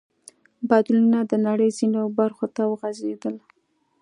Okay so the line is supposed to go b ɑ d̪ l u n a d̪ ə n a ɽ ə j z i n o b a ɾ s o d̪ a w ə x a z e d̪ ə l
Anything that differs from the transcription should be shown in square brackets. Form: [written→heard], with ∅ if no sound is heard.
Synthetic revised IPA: b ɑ d̪ l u n a d̪ ə n a ɽ ə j z i n o b a ɾ [s→x] o [d̪→t̪] a w ə [x→ɣ] a z e d̪ ə l